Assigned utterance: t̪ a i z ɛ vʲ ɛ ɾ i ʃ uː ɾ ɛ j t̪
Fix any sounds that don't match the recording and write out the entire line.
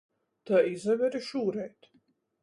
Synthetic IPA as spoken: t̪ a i z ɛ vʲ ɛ ɾ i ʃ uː ɾ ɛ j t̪